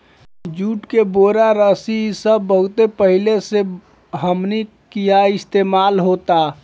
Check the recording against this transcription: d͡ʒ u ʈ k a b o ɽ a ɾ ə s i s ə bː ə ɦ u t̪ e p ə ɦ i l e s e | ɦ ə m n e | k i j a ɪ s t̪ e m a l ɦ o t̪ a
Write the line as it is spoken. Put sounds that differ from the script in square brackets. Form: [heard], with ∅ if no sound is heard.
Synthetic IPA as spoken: d͡ʒ u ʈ k [e] b o [ɾ] a ɾ ə s i s ə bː ə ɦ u t̪ e p ə ɦ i l e s e | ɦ ə m n [i] | k i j a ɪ s t̪ e m a l ɦ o t̪ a